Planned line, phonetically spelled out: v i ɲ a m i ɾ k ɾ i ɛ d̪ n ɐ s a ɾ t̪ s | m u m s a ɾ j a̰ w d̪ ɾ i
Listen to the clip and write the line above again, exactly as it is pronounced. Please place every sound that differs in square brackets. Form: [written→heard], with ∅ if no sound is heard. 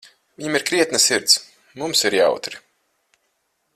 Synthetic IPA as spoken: v i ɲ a m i ɾ k ɾ i ɛ [d̪→t̪] n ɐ s [a→i] ɾ t̪ s | m u m s [a→i] ɾ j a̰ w [d̪→t̪] ɾ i